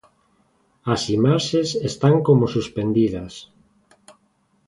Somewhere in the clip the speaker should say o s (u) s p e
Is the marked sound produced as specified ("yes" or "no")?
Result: yes